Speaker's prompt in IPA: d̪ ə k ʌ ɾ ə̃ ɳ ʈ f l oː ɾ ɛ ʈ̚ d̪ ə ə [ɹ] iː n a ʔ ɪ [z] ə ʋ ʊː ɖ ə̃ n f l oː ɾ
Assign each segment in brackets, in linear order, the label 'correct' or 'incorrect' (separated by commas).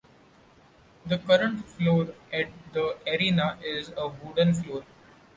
incorrect, correct